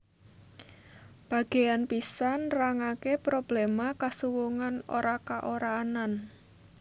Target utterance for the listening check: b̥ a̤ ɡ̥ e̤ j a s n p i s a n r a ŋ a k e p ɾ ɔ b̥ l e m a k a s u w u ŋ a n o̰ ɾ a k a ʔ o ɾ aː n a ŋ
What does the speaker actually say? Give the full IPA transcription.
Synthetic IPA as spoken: b̥ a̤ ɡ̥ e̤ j a n p i s a n r a ŋ a k e p ɾ o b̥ l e m a k a s u w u ŋ a n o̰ ɾ a k a ʔ o ɾ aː n a n